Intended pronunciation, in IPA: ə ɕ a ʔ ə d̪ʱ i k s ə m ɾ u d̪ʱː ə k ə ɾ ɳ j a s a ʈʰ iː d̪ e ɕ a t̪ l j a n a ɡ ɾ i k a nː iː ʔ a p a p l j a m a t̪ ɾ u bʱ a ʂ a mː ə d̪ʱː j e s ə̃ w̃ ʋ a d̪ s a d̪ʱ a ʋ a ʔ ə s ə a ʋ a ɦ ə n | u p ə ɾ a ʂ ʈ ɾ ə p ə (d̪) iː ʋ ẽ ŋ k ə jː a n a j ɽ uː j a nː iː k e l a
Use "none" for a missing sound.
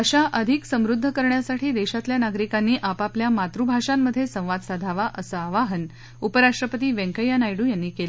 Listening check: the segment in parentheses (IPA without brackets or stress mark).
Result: t̪